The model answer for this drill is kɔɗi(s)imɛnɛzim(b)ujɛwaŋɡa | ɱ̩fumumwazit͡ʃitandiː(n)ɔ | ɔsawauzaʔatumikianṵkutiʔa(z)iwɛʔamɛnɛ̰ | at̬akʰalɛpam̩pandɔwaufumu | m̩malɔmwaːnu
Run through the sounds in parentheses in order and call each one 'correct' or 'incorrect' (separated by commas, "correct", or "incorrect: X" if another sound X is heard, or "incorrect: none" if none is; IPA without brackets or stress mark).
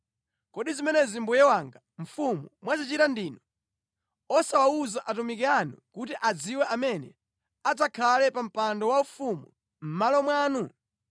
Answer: incorrect: z, correct, correct, incorrect: d͡z